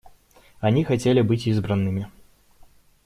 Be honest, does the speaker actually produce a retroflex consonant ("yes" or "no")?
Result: no